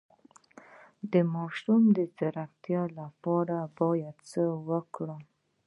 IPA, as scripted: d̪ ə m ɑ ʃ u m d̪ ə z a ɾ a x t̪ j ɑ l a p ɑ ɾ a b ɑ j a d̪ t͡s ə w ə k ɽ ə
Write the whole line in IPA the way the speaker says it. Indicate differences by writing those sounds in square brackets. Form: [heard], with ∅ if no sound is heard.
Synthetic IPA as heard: d̪ ə m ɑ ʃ u m d̪ ə z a ɾ a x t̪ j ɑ l a p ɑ ɾ a b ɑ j a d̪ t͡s ə w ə k ɽ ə